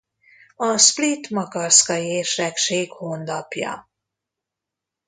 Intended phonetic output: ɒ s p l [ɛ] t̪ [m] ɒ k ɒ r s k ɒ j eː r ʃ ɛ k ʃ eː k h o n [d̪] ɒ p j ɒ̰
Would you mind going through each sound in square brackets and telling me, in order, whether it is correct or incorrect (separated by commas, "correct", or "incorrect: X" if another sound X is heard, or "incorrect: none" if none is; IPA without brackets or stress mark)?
incorrect: i, correct, correct